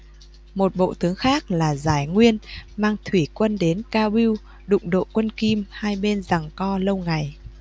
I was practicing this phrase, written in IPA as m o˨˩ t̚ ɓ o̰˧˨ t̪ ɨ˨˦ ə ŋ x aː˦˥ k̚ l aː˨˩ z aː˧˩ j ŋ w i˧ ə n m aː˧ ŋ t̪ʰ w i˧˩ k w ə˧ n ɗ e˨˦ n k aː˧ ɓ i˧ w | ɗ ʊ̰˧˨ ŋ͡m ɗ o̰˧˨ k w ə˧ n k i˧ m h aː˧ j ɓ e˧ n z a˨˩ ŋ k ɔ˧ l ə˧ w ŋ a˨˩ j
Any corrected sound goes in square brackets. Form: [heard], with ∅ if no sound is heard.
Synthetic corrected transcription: m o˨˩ t̚ ɓ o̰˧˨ t̪ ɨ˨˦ ə ŋ x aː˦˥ k̚ l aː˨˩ z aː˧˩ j ŋ w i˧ ə n m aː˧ ŋ t̪ʰ w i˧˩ k w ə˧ n ɗ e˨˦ n k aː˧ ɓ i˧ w | ɗ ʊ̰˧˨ ŋ͡m ɗ o̰˧˨ k w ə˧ n k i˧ m h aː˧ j ɓ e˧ n z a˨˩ ŋ k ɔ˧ l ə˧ w ŋ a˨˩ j